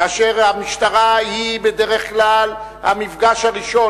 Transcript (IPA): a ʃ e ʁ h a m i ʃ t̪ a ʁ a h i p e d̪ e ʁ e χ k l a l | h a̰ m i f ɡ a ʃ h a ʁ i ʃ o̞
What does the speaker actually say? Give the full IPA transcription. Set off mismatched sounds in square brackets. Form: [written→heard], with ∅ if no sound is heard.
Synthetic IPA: a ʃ e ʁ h a m i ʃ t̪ a ʁ a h i [p→b] e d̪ e ʁ e χ k l a l | h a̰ m i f ɡ a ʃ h a ʁ i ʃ o̞